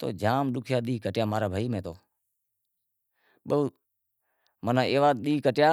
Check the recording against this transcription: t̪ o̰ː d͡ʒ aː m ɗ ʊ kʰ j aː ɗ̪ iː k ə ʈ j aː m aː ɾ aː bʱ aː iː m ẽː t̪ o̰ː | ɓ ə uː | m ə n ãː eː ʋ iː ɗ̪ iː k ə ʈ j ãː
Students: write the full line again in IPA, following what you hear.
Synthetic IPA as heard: t̪ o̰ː d͡ʒ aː m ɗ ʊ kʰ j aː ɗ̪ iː k ə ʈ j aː m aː ɾ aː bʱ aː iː m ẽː t̪ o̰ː | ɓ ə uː | m ə n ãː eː ʋ aː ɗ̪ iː k ə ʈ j aː